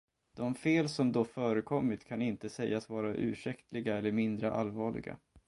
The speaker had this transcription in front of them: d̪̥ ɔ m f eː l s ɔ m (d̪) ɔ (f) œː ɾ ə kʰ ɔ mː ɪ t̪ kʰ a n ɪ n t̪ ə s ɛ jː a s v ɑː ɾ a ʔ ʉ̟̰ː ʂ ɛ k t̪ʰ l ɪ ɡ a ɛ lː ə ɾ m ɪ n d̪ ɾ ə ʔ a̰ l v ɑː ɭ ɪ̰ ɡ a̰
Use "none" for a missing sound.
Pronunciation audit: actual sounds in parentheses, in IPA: d̪, f

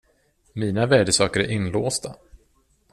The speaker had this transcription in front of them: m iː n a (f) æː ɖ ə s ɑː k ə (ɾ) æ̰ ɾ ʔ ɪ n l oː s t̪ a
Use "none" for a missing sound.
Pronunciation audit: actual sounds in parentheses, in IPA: v, ɾ

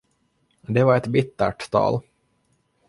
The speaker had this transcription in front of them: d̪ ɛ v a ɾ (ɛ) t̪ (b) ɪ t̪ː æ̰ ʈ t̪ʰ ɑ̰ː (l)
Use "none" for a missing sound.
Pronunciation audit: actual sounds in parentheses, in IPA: ɛ, b, l

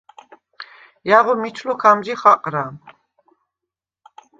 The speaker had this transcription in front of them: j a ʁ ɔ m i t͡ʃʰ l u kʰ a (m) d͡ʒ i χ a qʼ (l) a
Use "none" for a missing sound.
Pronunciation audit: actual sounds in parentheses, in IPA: m, ɾ

